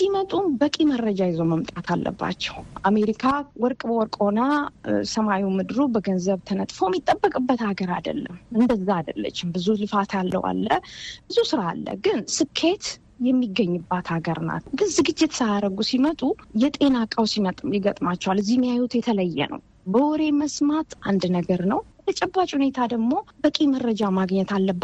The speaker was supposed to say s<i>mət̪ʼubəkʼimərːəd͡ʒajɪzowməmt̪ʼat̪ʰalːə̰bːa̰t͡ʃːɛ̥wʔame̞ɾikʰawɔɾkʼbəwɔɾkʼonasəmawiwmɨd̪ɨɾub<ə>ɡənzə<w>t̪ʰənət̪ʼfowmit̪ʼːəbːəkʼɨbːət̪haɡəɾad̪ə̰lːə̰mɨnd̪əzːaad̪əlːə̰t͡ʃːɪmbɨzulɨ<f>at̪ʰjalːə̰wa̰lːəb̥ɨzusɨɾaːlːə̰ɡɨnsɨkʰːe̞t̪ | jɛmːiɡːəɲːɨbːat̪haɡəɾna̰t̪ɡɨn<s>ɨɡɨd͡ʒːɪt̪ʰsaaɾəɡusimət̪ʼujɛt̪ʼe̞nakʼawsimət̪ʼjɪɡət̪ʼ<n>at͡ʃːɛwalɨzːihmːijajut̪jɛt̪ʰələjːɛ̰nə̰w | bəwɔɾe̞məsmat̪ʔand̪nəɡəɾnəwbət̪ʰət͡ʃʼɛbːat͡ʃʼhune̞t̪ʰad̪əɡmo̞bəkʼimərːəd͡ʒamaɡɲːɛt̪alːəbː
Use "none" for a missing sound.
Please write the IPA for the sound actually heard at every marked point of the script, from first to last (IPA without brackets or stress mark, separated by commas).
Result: i, ə, β, f, z, m